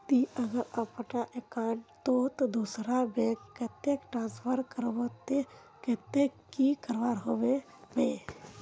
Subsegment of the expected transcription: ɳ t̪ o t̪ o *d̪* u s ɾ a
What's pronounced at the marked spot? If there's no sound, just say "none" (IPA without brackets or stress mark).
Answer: d̪